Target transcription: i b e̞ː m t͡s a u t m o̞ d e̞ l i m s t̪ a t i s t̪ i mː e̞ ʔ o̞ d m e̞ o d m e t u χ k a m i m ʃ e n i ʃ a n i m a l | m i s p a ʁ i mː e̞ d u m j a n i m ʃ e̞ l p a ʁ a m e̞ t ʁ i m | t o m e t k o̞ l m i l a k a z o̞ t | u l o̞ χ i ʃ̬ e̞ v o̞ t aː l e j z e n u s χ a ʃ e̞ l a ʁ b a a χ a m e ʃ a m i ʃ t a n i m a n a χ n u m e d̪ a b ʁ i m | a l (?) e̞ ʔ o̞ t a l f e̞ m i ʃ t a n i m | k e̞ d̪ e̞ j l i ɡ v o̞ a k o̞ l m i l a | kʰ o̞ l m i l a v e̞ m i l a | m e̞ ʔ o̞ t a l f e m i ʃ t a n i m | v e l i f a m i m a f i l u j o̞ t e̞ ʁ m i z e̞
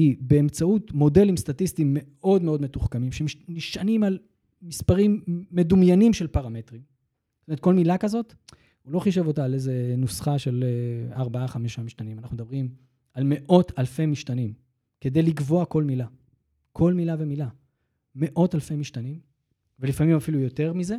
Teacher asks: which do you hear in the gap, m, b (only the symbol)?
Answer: m